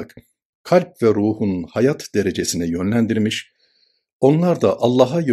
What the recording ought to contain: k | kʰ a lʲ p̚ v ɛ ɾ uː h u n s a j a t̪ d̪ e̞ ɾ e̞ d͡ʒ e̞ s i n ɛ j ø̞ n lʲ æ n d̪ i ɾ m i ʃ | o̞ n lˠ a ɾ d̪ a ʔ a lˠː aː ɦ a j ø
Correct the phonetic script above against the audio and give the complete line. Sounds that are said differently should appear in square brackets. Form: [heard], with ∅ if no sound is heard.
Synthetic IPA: k | kʰ a lʲ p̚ v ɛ ɾ uː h u n [h] a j a t̪ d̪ e̞ ɾ e̞ d͡ʒ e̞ s i n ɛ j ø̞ n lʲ æ n d̪ i ɾ m i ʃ | o̞ n lˠ a ɾ d̪ a ʔ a lˠː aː ɦ a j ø